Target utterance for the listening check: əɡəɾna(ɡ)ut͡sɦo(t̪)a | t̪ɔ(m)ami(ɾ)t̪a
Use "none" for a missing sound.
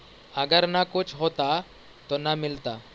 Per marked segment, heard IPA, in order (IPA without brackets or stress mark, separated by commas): k, t̪, n, l